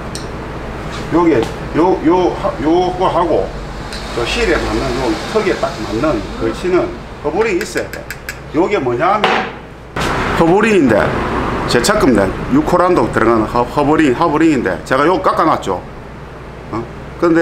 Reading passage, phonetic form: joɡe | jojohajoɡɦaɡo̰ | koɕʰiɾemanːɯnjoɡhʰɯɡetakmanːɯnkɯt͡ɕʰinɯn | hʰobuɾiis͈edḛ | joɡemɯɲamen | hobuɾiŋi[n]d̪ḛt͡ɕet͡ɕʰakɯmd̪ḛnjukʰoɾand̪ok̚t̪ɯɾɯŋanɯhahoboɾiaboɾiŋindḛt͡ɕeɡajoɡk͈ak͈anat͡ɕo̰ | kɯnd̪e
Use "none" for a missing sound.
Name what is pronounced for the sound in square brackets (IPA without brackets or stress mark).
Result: n